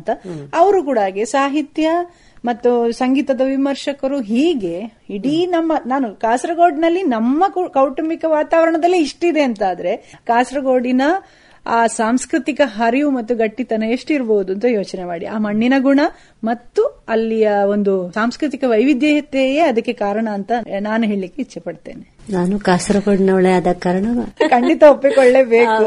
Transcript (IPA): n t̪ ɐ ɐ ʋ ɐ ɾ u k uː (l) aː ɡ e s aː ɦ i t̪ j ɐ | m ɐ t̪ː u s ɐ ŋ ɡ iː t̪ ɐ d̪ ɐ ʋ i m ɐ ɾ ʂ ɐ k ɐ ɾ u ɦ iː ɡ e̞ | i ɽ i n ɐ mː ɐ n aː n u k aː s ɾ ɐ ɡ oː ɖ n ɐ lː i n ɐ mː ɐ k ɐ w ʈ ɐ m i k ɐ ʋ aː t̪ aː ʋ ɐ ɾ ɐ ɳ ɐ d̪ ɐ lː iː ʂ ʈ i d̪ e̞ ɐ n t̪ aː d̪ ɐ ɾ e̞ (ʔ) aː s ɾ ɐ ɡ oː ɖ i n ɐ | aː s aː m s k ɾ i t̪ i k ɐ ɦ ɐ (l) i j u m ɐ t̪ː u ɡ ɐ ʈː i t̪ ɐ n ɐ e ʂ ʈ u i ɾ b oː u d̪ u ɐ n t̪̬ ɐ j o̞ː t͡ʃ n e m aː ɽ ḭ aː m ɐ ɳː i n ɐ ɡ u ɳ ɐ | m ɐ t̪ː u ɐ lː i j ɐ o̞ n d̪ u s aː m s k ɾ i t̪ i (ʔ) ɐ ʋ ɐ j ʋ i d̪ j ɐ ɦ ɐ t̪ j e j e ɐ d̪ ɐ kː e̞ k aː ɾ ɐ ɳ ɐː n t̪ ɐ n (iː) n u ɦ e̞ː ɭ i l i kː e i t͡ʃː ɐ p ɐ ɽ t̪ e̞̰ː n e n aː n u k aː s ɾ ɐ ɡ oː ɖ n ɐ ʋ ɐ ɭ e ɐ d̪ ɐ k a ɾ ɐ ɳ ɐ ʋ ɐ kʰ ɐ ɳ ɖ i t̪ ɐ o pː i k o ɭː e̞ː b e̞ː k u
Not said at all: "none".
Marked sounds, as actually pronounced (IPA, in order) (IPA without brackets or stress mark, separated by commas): ɽ, k, ɾ, k, aː